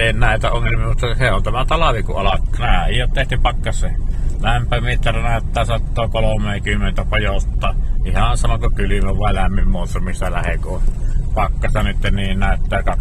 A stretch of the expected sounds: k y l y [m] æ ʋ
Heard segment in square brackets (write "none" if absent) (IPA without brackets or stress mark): m